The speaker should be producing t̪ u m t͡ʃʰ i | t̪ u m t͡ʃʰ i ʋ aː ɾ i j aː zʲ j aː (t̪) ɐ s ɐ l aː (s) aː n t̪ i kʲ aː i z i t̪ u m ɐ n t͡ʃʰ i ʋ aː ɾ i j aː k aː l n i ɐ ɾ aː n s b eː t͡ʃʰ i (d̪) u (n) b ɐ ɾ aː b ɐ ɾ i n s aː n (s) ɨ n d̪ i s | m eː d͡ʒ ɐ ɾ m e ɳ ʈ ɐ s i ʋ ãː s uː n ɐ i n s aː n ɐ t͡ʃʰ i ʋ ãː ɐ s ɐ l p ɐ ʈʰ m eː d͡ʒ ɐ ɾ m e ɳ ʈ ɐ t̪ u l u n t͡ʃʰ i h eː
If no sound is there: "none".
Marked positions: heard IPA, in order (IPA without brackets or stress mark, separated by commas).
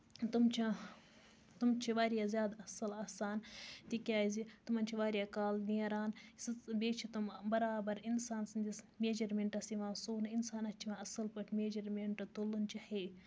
d̪, s, t̪, m, s